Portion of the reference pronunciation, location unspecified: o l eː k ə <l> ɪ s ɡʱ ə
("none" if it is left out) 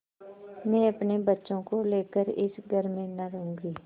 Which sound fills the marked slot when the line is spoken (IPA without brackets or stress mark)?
ɾ